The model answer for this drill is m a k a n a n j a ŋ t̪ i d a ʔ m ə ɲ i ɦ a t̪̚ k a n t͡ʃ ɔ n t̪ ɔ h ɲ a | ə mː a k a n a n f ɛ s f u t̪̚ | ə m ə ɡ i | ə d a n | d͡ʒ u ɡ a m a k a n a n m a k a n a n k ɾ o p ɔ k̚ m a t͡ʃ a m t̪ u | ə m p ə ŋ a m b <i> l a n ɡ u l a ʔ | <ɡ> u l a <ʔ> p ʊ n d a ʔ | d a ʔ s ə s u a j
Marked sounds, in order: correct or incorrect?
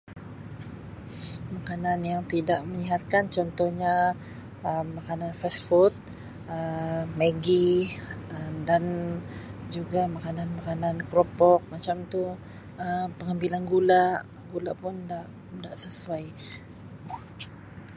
correct, correct, correct

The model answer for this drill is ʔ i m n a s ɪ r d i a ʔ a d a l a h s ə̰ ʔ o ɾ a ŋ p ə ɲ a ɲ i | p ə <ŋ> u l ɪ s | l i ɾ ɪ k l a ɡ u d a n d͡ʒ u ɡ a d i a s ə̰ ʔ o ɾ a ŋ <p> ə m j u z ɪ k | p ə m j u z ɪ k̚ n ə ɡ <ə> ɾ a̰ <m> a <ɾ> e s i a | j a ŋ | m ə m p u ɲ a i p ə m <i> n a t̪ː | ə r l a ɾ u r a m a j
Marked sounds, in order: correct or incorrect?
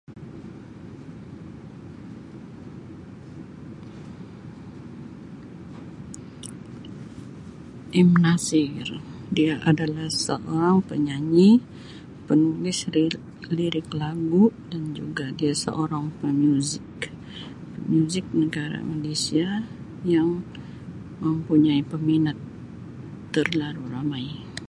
incorrect, correct, incorrect, correct, incorrect, correct

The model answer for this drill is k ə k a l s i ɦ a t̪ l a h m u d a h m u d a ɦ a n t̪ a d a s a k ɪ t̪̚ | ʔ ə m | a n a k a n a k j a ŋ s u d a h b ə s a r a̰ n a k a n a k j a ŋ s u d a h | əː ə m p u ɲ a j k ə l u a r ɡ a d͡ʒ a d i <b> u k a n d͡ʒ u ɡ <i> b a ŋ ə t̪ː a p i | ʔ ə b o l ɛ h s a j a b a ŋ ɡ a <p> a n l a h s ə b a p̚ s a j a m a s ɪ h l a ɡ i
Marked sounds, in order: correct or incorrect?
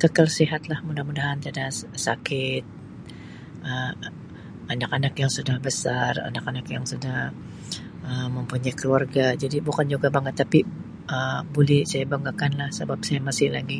correct, incorrect, incorrect

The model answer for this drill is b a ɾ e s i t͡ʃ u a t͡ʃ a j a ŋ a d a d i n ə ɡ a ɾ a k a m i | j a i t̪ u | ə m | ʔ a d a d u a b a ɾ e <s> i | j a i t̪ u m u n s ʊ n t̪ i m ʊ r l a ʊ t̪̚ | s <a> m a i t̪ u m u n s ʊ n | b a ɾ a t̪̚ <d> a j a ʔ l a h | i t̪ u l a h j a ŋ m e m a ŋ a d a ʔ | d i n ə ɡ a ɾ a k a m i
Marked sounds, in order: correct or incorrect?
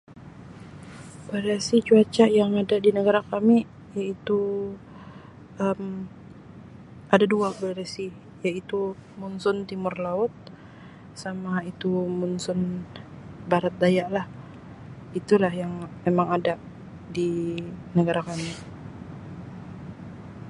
correct, correct, correct

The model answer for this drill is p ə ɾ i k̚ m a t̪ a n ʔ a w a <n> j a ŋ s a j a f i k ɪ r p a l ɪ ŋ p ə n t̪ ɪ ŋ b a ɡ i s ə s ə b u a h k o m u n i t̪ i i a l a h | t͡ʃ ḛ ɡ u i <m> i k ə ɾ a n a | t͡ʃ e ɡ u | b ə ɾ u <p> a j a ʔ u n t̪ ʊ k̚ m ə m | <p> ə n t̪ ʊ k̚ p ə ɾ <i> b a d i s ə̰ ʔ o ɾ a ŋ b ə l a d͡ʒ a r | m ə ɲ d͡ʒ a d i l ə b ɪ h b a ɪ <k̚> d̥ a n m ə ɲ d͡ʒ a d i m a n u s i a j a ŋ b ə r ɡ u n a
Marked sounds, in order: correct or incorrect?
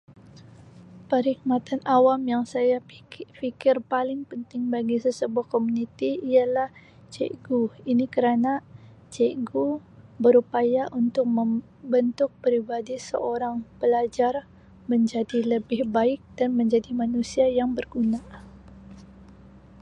incorrect, incorrect, correct, incorrect, correct, correct

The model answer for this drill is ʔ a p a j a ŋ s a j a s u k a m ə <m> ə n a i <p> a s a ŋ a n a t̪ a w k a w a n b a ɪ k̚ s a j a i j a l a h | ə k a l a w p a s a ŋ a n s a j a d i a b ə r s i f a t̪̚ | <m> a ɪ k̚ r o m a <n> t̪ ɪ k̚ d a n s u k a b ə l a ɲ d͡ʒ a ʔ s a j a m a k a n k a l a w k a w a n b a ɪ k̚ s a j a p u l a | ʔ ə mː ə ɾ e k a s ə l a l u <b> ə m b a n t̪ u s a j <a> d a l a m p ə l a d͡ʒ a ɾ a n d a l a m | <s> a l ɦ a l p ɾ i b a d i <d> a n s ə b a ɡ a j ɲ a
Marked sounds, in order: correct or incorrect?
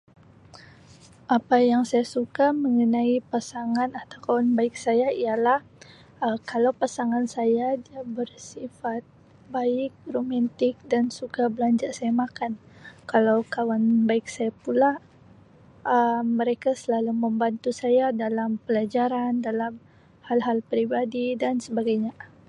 incorrect, correct, incorrect, correct, incorrect, correct, incorrect, correct

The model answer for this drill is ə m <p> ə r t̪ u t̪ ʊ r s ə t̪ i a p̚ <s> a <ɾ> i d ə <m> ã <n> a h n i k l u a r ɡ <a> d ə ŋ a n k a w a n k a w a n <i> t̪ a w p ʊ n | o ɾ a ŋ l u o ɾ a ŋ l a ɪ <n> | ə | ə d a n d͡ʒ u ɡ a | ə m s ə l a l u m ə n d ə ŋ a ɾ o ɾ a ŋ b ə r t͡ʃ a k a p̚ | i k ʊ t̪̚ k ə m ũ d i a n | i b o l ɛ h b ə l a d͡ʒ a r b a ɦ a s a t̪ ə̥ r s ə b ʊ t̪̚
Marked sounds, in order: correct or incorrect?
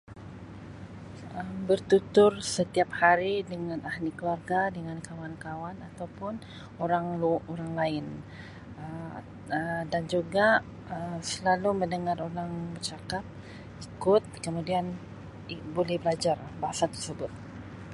incorrect, incorrect, correct, incorrect, correct, correct, incorrect, correct

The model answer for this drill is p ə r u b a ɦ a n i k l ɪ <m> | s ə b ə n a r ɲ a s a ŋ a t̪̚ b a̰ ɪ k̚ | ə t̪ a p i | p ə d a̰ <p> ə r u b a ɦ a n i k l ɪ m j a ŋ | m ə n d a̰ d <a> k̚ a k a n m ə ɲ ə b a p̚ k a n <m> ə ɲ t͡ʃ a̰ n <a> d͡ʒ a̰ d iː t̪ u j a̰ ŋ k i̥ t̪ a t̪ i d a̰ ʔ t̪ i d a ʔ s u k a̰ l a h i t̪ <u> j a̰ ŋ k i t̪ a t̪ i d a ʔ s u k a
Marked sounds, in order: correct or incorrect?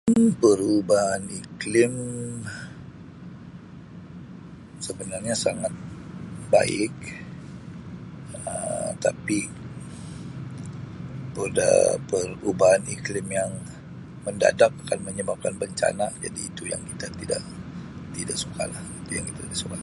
correct, correct, correct, incorrect, correct, correct

